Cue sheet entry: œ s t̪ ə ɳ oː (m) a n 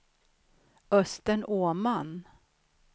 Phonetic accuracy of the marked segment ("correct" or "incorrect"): correct